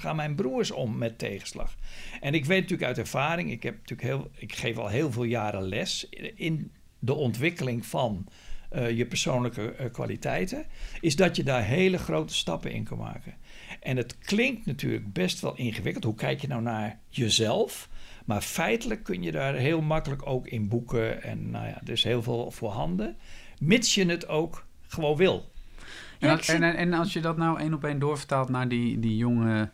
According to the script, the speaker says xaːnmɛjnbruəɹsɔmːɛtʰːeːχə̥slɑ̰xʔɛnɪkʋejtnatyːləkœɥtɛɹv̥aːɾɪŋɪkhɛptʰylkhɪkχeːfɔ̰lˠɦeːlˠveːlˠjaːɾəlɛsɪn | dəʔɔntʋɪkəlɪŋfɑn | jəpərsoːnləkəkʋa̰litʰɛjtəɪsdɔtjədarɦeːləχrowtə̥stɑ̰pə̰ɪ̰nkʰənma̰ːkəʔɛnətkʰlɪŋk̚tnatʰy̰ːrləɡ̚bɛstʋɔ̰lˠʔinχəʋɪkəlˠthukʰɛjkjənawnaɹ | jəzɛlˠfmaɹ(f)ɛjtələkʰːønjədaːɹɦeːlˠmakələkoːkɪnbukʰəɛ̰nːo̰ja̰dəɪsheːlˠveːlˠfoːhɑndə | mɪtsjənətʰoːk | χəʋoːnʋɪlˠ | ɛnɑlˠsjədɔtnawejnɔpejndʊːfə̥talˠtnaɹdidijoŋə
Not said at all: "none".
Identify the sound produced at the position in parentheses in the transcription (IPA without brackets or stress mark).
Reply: f